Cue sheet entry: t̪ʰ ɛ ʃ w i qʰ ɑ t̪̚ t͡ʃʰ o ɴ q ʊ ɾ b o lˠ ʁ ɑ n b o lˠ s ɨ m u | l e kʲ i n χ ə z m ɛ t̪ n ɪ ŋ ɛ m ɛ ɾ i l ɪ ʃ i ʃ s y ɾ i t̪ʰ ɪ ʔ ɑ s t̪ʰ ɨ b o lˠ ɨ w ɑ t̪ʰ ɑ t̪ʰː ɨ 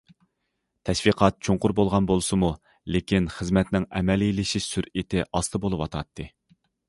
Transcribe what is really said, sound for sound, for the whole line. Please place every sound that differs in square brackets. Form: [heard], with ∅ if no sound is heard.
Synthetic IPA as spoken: t̪ʰ ɛ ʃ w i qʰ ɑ t̪̚ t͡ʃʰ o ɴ q ʊ ɾ b o lˠ ʁ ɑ n b o lˠ s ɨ m u | l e kʲ i n χ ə z m ɛ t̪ n ɪ ŋ ɛ m ɛ [l] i l ɪ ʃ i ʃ s y ɾ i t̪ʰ ɪ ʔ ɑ s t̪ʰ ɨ b o lˠ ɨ w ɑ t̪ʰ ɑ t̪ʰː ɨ